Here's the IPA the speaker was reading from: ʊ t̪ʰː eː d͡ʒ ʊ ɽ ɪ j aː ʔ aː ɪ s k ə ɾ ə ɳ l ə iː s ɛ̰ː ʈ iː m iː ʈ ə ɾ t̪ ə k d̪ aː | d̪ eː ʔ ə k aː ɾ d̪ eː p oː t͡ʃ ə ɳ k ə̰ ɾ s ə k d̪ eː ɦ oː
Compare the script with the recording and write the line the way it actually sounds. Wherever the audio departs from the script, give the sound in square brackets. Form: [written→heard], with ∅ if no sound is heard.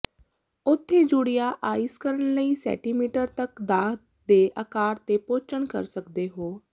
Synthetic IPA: ʊ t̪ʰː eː d͡ʒ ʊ ɽ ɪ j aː ʔ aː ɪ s k ə ɾ ə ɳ l ə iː s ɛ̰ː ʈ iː m iː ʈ ə ɾ t̪ ə k d̪ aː | d̪ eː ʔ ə k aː ɾ [d̪→t̪] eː p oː t͡ʃ ə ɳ k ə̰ ɾ s ə k d̪ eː ɦ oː